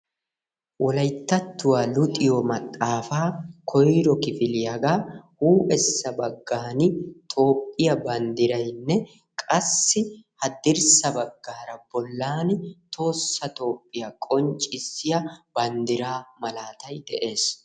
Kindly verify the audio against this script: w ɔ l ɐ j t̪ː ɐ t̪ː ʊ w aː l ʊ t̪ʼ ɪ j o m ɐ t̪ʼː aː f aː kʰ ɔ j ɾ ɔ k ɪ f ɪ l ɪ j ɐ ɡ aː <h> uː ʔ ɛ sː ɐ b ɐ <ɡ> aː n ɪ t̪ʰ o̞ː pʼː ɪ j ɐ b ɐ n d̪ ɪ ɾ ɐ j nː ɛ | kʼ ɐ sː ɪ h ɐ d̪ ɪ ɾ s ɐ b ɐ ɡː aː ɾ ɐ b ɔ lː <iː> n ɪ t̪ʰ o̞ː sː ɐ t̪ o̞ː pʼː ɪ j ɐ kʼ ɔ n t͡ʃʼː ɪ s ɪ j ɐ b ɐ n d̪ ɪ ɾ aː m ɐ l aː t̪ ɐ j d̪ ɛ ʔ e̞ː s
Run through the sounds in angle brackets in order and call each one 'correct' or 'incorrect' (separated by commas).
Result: correct, incorrect, incorrect